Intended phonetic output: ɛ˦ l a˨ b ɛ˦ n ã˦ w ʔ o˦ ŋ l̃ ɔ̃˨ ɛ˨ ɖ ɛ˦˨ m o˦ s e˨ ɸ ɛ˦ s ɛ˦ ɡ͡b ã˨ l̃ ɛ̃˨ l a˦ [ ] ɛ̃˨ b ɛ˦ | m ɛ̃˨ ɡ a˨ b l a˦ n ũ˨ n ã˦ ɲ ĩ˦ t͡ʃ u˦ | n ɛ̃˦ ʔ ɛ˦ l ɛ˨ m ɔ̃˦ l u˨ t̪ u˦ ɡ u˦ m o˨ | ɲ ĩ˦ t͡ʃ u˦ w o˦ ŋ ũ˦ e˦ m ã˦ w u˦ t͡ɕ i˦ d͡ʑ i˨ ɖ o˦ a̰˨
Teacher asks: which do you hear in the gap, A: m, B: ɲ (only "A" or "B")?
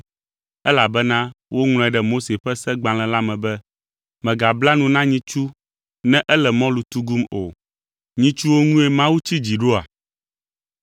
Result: A